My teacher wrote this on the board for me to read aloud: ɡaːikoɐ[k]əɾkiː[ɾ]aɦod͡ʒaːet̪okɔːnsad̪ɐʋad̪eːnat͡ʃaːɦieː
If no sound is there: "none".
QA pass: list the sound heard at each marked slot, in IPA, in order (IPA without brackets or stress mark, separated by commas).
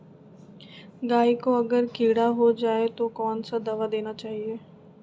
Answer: ɡ, ɽ